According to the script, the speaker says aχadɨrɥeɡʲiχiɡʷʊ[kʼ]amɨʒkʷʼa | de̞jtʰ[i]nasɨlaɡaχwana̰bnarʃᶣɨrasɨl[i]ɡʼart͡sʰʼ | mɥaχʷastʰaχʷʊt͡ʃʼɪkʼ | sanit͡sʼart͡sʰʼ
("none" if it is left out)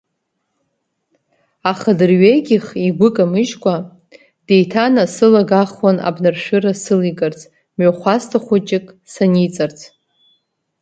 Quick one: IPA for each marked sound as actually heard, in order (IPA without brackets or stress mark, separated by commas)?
kʼ, a, i